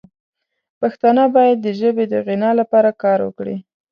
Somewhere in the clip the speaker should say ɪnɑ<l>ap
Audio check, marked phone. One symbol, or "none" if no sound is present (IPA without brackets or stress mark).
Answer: l